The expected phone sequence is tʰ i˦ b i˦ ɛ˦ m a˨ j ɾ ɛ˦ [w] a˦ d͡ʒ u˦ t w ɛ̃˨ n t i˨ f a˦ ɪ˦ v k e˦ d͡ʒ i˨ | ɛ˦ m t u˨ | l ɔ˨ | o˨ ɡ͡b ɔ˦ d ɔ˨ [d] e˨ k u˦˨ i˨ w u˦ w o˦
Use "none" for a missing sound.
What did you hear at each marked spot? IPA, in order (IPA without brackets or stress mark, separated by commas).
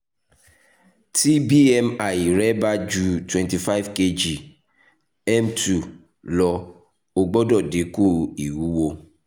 b, d